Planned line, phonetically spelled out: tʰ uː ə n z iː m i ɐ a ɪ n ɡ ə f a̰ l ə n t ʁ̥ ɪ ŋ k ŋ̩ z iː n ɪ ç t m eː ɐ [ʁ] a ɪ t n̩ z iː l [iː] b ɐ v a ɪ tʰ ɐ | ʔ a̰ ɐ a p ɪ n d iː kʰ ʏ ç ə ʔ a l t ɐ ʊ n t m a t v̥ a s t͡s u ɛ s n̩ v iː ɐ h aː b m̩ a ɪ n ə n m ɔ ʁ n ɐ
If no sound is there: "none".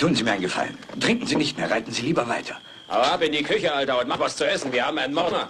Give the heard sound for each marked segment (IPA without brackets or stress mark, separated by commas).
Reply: ʁ, iː